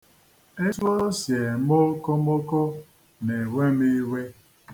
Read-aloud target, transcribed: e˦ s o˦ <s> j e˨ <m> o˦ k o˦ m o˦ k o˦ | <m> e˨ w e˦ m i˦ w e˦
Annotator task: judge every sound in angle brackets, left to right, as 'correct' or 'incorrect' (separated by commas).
correct, correct, incorrect